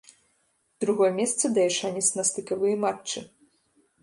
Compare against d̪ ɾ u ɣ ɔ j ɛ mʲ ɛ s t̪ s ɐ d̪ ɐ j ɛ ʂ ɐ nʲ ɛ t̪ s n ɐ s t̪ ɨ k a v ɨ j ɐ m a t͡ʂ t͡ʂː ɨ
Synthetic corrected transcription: d̪ ɾ u ɣ ɔ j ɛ mʲ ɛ s t̪ s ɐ d̪ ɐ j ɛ ʂ a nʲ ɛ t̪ s n ɐ s t̪ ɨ k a v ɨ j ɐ m a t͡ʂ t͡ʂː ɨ